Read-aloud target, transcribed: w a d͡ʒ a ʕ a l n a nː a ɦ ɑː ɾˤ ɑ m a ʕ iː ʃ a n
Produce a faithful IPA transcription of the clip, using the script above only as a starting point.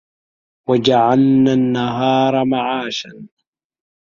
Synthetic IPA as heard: w a d͡ʒ a ʕ a l n a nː a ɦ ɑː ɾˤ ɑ m a ʕ aː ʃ a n